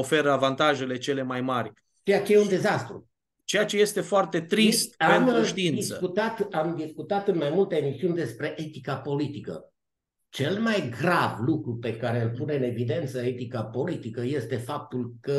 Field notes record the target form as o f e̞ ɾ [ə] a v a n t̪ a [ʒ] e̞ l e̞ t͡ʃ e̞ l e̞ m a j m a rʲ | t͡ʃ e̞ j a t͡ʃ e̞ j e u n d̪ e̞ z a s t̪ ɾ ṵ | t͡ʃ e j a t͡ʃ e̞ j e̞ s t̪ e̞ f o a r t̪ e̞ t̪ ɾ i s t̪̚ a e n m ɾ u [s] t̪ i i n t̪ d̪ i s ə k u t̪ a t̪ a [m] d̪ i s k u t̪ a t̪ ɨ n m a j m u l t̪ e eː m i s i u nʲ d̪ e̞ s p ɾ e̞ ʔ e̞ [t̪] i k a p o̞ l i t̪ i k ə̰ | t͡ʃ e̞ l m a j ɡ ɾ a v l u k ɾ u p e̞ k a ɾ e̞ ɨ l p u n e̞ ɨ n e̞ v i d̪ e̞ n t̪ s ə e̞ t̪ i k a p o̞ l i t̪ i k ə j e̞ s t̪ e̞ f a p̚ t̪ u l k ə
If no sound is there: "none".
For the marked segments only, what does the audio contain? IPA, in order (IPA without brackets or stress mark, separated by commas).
ə, ʒ, ʃ, m, t̪